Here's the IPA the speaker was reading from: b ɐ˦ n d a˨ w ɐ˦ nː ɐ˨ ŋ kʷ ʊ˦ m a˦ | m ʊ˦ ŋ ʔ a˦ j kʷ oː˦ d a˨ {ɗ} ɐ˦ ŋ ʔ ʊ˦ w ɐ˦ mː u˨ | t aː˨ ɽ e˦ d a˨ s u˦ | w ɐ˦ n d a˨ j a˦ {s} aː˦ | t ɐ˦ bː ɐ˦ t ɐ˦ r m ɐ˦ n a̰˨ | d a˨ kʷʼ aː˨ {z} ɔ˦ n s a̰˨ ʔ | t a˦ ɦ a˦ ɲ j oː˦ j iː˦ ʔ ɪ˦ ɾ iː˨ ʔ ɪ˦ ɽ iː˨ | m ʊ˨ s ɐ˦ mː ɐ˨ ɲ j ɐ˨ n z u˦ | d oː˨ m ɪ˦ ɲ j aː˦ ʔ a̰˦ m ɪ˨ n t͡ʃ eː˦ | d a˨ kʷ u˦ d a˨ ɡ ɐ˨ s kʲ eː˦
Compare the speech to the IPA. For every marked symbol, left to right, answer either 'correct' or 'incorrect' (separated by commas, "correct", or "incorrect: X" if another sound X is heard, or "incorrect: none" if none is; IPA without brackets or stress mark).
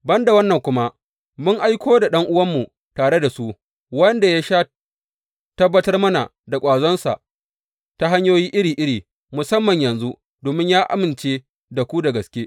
correct, incorrect: ʃ, correct